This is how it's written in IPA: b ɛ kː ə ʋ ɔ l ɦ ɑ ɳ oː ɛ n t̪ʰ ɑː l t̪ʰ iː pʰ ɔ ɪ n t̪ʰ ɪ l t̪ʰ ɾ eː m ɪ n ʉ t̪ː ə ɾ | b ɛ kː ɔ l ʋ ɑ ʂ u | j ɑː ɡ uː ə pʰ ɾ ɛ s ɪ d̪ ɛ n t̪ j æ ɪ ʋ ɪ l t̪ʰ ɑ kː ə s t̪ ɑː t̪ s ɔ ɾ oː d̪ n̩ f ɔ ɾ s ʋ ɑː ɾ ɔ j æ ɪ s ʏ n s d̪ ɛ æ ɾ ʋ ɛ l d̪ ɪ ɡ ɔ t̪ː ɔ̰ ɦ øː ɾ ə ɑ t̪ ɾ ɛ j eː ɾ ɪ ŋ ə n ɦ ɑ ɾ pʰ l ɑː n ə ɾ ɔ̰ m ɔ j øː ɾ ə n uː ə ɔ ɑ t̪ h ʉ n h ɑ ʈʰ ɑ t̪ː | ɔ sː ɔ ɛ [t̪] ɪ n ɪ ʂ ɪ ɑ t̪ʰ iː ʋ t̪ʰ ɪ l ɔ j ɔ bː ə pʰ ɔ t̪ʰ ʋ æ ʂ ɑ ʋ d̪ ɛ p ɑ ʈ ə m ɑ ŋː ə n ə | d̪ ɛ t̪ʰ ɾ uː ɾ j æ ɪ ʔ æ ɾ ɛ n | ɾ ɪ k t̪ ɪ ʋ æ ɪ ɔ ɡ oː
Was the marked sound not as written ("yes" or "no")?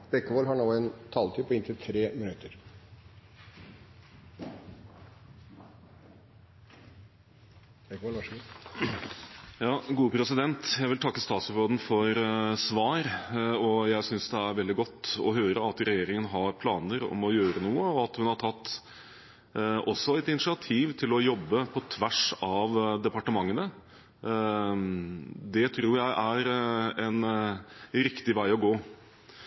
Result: no